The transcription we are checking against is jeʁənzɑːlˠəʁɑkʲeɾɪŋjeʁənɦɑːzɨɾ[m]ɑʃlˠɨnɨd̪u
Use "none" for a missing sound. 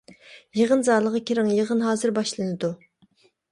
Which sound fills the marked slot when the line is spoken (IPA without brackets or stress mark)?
b